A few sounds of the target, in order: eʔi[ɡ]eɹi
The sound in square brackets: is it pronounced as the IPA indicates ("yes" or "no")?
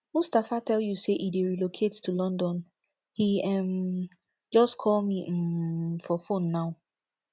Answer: no